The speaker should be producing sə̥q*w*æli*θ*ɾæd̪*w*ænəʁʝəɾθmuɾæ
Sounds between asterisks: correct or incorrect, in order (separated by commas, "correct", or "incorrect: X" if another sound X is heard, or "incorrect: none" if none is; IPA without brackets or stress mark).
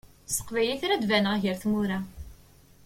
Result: incorrect: v, correct, incorrect: v